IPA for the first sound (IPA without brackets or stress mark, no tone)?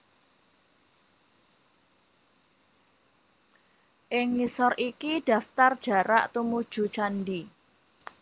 ʔ